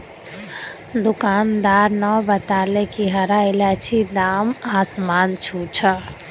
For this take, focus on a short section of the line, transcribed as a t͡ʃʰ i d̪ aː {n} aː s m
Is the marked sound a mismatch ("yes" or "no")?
yes